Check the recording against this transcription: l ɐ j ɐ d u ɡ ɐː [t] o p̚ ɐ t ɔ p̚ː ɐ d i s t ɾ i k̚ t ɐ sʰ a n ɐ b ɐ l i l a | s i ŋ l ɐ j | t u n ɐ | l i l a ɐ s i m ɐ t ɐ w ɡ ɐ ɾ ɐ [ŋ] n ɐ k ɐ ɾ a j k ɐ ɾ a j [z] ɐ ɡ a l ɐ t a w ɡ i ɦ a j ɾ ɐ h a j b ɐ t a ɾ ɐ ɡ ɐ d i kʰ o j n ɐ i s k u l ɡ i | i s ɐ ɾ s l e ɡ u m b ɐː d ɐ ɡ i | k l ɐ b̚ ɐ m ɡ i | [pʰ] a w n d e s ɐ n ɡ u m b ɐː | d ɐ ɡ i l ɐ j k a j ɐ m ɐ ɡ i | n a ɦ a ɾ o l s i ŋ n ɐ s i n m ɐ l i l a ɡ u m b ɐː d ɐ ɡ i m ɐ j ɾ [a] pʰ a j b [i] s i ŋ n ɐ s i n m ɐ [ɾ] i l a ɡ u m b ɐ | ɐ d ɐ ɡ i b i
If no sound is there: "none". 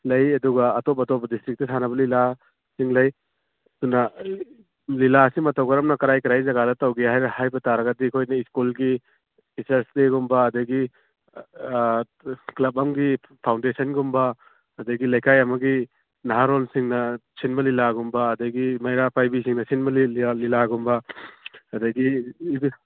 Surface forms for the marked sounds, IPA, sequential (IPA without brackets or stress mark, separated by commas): t, m, z, pʰ, a, i, l